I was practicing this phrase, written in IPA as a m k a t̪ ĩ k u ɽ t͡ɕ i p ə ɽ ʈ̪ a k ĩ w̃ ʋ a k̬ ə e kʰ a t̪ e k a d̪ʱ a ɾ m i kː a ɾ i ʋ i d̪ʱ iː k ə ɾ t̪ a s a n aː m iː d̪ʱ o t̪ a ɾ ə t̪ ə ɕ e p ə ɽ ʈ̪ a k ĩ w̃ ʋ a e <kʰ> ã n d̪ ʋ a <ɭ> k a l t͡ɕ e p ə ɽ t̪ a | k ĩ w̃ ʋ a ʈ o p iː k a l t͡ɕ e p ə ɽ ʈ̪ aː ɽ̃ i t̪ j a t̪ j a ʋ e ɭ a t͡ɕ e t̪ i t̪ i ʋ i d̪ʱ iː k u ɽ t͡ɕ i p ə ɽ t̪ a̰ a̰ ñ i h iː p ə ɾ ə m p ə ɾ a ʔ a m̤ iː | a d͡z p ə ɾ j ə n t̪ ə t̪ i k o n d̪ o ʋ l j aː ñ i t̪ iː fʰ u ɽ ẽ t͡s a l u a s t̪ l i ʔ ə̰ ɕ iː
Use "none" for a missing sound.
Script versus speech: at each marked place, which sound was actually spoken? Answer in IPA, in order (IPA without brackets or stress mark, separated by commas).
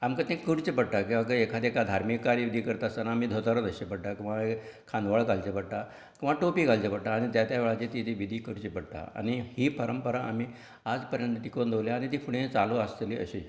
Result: kʰ, ɭ